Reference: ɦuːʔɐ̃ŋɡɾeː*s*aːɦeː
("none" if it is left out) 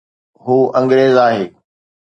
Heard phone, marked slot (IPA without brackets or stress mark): z